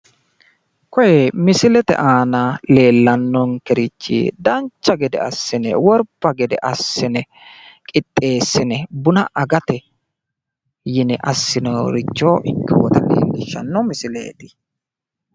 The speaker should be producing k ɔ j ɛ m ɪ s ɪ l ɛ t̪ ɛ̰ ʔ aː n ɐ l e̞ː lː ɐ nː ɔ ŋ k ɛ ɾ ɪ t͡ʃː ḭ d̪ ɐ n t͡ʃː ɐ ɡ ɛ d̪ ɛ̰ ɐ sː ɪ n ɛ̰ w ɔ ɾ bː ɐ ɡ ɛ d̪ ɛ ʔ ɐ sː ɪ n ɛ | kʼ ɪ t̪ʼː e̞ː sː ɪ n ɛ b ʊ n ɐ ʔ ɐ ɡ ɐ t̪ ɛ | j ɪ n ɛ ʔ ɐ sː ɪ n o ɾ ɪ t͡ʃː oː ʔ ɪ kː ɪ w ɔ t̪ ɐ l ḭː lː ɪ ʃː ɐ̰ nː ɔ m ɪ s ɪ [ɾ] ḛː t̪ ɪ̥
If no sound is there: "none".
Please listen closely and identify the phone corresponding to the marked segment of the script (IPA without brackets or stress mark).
l